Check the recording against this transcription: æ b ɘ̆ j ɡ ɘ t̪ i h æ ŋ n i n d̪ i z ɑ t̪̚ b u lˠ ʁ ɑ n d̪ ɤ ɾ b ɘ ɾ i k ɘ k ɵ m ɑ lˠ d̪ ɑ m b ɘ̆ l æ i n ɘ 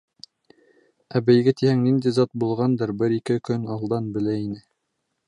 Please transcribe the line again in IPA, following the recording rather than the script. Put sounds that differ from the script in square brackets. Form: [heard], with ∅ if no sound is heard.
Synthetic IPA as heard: æ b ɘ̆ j ɡ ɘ t̪ i h æ ŋ n i n d̪ i z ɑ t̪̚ b u lˠ ʁ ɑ n d̪ ɤ ɾ b ɘ ɾ i k ɘ k ɵ [n] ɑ lˠ d̪ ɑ [n] b ɘ̆ l æ i n ɘ